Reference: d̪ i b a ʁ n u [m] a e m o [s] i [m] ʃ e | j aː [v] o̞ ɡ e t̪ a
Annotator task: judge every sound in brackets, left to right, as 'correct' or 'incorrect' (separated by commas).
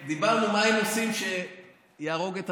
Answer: correct, correct, correct, incorrect